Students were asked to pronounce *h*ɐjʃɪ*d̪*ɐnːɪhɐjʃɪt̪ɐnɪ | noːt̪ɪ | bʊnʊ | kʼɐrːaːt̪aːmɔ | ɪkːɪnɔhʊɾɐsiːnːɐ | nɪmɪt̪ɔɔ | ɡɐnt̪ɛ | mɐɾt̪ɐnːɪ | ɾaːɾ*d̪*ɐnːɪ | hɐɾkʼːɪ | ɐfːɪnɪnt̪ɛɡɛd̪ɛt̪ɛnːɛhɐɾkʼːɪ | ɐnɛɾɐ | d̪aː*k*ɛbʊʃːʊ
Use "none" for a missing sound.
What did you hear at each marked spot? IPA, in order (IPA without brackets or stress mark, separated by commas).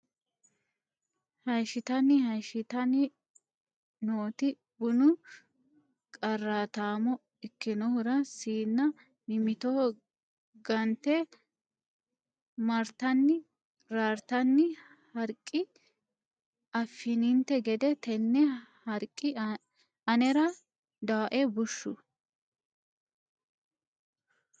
h, t̪, t̪, ʔ